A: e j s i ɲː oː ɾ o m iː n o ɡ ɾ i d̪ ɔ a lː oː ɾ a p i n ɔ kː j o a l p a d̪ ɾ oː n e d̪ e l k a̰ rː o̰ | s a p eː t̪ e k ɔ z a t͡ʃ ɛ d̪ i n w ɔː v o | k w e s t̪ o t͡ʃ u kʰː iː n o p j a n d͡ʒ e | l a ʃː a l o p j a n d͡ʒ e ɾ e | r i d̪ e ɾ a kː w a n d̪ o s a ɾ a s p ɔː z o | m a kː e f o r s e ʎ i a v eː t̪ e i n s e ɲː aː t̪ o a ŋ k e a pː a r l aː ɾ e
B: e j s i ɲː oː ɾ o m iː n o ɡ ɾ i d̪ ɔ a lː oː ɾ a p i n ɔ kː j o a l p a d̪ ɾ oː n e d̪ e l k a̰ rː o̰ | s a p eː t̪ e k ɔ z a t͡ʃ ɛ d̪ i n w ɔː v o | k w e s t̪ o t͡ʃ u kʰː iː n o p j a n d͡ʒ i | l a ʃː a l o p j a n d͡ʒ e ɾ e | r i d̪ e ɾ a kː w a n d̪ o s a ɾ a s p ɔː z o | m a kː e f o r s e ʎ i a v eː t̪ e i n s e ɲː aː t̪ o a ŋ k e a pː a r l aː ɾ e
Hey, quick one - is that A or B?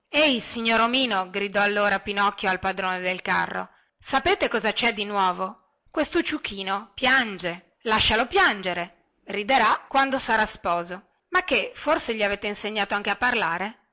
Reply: A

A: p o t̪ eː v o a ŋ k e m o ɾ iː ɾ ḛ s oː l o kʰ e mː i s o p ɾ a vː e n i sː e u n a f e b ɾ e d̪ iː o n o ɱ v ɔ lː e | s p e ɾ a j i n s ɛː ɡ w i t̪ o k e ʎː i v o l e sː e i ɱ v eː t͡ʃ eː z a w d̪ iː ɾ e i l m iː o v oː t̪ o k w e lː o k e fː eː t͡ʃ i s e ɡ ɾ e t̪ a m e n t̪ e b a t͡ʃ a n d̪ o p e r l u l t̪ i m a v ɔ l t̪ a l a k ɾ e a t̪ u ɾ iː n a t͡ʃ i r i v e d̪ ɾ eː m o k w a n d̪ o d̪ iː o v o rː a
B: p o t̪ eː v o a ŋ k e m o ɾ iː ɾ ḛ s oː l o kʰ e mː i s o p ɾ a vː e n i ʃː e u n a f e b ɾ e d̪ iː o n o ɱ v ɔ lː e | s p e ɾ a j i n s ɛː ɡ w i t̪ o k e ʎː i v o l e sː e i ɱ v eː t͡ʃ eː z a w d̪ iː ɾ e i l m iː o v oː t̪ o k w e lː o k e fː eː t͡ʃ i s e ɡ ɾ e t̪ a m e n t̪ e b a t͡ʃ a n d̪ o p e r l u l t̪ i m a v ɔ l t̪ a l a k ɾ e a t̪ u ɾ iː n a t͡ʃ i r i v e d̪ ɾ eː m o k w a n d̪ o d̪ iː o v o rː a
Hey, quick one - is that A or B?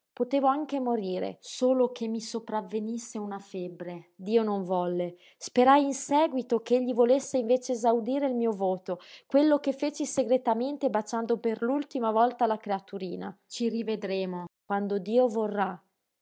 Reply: A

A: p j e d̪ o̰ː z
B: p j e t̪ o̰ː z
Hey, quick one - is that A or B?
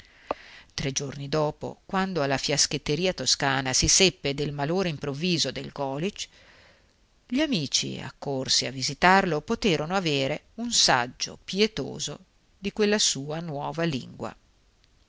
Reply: B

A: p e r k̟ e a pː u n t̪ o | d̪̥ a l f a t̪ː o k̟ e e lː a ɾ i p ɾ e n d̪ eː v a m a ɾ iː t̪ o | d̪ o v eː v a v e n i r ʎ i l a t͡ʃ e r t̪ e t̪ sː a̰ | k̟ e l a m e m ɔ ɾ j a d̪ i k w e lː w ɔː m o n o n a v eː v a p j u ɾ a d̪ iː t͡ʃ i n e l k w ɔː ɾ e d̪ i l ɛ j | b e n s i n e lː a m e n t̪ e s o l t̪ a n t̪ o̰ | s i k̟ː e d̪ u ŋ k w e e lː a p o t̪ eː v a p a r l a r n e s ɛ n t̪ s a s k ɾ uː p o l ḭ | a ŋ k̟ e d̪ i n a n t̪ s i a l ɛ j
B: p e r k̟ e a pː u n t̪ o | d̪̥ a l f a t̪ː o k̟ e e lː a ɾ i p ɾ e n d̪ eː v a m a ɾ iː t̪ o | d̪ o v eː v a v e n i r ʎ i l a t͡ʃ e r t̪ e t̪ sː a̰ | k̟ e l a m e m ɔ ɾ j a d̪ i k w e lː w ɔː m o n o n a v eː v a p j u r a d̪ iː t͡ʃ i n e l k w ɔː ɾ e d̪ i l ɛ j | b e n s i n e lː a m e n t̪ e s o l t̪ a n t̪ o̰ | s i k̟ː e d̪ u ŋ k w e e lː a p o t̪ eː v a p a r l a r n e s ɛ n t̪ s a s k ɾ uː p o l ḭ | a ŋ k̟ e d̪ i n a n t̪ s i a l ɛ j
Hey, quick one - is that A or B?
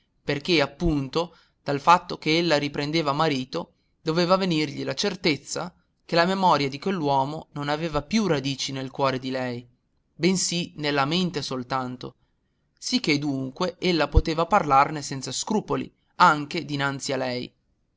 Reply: B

